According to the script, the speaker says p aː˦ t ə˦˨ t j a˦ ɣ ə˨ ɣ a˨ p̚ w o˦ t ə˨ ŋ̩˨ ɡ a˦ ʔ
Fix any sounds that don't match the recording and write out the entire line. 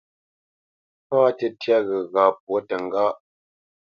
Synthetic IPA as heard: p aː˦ t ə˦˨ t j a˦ ɣ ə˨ ɣ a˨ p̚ w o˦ t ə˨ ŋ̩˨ ɡ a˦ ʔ